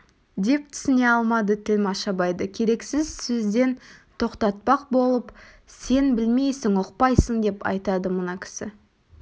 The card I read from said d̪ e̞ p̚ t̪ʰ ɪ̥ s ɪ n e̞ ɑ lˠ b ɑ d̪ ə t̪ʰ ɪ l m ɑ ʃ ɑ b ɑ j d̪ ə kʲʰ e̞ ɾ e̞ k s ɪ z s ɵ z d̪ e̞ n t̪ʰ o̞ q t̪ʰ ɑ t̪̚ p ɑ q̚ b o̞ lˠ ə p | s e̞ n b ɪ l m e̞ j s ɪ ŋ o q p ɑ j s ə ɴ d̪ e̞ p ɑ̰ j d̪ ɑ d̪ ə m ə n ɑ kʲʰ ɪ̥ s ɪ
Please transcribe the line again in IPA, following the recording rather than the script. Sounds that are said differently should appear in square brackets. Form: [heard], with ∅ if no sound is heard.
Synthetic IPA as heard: d̪ e̞ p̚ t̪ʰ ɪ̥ s ɪ n e̞ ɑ lˠ [m] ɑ d̪ ə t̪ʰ ɪ l m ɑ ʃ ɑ b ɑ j d̪ ə kʲʰ e̞ ɾ e̞ k s ɪ z s ɵ z d̪ e̞ n t̪ʰ o̞ q [t̪] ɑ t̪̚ p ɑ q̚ b o̞ lˠ ə p | s e̞ n b ɪ l m e̞ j s ɪ ŋ o q p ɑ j s ə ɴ d̪ e̞ p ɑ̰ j [t̪] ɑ d̪ ə m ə n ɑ kʲʰ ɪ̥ s ɪ